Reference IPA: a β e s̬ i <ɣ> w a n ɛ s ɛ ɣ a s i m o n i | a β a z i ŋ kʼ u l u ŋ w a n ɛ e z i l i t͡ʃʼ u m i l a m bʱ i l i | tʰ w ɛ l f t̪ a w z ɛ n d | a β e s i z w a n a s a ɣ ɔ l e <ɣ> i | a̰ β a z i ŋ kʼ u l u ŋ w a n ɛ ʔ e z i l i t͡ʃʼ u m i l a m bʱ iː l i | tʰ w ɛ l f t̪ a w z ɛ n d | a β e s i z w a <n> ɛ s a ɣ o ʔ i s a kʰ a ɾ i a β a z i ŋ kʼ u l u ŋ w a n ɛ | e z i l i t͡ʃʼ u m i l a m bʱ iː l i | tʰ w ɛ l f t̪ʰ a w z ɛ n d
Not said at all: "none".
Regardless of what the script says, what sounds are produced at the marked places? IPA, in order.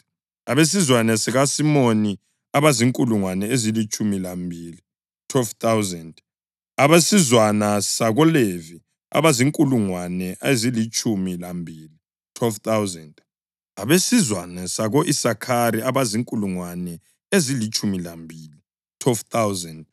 z, v, n

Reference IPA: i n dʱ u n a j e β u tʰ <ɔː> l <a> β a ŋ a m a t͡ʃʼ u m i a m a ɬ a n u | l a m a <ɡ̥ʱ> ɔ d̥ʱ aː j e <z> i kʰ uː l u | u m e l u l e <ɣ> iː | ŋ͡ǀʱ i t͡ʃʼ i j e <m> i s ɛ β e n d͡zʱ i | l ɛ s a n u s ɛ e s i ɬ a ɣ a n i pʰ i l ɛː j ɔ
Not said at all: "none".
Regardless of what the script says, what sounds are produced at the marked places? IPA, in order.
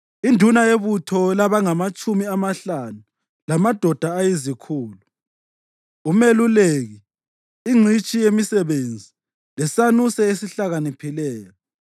ɔ, a, d̥ʱ, z, ɣ, m

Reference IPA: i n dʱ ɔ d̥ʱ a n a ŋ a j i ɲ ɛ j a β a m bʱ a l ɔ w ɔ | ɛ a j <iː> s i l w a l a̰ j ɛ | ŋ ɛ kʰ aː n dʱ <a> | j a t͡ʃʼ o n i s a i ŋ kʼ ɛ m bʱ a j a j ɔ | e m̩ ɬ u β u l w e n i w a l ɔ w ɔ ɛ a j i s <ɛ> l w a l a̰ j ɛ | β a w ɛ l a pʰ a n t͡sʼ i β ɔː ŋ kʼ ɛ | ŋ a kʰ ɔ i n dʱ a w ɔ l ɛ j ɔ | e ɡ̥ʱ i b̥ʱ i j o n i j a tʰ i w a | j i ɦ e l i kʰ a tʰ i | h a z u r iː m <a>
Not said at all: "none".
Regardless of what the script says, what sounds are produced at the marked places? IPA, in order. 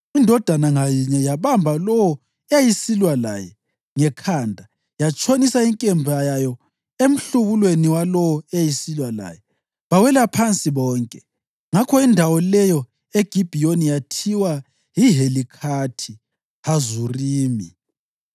i, a, i, i

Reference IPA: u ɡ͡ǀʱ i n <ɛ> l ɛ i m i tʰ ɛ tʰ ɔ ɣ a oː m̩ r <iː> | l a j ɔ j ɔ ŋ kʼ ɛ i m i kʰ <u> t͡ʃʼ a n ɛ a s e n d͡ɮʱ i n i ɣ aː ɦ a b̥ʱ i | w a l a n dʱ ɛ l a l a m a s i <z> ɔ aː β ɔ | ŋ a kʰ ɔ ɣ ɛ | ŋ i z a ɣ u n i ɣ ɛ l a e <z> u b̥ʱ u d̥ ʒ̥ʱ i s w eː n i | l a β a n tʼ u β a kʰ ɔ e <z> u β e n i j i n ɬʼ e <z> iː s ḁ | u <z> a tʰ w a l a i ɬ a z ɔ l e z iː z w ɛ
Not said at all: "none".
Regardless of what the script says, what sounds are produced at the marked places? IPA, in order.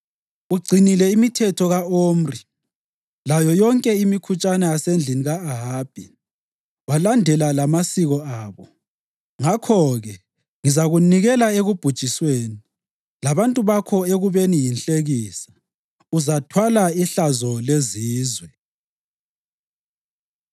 i, i, u, ɣ, ɣ, ɣ, ɣ, z

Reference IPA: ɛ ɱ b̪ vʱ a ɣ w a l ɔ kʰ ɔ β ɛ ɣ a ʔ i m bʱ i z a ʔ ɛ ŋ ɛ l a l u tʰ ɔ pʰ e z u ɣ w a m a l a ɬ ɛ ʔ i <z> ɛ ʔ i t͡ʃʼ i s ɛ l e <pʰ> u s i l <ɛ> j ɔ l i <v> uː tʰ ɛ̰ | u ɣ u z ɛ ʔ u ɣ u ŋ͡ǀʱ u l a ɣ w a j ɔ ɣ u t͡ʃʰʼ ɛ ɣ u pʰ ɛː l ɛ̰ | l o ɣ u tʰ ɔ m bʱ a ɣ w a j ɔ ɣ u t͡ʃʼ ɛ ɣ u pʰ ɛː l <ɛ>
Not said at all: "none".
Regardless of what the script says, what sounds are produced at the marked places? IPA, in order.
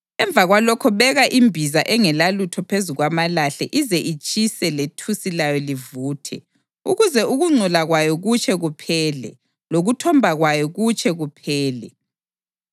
z, tʰ, a, v, ɛ

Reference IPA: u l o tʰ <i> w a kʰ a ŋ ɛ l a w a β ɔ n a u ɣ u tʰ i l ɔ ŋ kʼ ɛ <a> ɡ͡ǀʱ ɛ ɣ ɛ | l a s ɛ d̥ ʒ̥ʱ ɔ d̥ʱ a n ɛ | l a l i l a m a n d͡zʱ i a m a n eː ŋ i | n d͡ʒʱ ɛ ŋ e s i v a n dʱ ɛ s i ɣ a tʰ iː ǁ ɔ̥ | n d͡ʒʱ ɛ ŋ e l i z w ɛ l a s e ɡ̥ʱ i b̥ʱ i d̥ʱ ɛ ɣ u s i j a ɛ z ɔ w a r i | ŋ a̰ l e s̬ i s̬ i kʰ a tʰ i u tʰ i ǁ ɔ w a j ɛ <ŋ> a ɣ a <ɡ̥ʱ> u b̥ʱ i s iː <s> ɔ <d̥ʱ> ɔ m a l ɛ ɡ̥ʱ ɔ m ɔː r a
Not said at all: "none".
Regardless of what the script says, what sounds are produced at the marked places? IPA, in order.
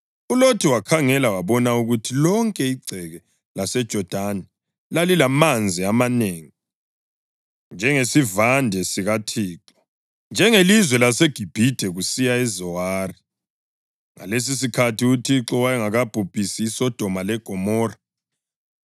i, i, ŋ, b̥ʱ, s, d̥ʱ

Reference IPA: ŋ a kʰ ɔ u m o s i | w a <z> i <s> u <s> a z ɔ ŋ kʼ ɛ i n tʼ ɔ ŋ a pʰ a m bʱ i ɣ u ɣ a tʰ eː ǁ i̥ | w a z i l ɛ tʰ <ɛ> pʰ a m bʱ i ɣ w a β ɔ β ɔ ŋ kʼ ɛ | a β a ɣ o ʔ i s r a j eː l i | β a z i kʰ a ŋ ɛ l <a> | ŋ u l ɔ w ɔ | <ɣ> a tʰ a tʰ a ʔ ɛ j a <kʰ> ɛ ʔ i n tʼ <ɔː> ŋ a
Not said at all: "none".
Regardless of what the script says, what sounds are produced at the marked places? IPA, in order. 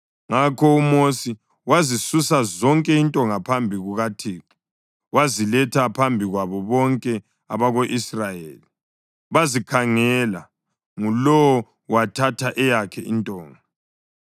z, s, s, a, a, w, kʰ, ɔː

